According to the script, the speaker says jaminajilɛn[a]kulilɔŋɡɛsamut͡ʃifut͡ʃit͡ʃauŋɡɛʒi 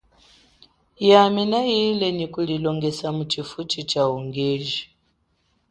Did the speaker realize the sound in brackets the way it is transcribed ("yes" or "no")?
no